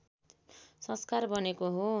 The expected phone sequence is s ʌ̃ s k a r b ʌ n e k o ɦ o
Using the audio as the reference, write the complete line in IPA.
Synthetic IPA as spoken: s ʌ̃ s k a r b ʌ n e k o ɦ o

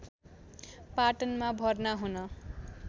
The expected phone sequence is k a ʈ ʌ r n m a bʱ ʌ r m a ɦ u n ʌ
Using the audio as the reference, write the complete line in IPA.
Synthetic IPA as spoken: p a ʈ ʌ n m a bʱ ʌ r n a ɦ u n ʌ

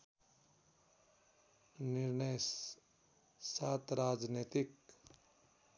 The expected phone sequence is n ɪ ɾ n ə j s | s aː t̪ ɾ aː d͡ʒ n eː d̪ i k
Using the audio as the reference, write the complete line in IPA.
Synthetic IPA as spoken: n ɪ ɾ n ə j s | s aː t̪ ɾ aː d͡ʒ n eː t̪ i k

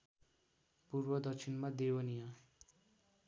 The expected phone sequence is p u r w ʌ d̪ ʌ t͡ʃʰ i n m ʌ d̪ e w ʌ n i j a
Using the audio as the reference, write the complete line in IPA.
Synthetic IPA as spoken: p u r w ʌ d̪ ʌ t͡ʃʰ i n m a d̪ e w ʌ n i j a

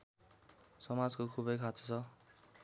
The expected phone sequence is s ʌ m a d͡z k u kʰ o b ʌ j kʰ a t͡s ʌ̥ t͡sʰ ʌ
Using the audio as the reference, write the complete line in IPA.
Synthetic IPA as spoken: s ʌ m a d͡z k o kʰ u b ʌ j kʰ a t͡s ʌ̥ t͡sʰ ʌ

